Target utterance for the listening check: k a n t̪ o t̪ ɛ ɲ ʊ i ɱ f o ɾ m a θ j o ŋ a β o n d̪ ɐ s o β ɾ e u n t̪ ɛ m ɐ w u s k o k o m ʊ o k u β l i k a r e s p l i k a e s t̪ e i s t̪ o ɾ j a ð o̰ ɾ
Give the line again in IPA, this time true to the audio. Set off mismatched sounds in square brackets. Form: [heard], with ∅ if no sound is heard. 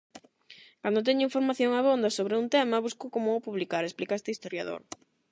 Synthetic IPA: k a n [d̪] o t̪ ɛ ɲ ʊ i ɱ f o ɾ m a θ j o ŋ a β o n d̪ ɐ s o β ɾ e u n t̪ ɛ m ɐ [β] u s k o k o m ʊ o [p] u β l i k a [ɾ] e s p l i k a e s t̪ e i s t̪ o ɾ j a ð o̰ ɾ